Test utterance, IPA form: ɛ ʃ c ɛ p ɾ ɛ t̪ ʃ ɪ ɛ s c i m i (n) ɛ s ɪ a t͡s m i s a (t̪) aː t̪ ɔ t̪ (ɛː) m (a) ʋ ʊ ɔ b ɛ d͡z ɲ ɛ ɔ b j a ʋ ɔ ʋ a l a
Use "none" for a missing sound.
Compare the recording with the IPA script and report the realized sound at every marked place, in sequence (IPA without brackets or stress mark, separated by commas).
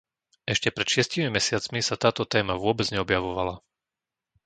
m, t̪, ɛː, a